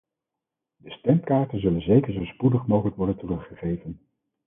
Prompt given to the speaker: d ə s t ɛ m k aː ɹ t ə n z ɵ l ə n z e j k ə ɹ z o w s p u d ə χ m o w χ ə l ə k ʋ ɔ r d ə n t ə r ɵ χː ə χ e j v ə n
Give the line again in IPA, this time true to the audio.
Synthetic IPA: d ə s t ɛ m k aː ɹ t ə n z ɵ l ə n z e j k ə ɹ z o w s p u d ə χ m o w χ ə l ə k ʋ ɔ ɹ d ə n t ə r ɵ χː ə χ e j v ə n